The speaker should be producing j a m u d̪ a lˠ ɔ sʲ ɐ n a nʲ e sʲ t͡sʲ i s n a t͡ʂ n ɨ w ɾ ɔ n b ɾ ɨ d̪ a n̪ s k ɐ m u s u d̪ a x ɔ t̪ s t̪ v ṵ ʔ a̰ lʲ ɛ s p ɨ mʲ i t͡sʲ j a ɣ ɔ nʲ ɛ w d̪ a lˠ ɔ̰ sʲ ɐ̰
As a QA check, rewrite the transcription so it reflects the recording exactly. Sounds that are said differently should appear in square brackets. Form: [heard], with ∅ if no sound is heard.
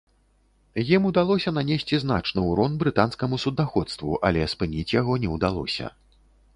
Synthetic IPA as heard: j [i] m u d̪ a lˠ ɔ sʲ ɐ n a nʲ e sʲ t͡sʲ i [z] n a t͡ʂ n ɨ w ɾ ɔ n b ɾ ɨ [t̪] a n̪ s k ɐ m u s u d̪ a x ɔ t̪ s t̪ v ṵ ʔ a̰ lʲ ɛ s p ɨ [nʲ] i t͡sʲ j a ɣ ɔ nʲ ɛ w d̪ a lˠ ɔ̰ sʲ ɐ̰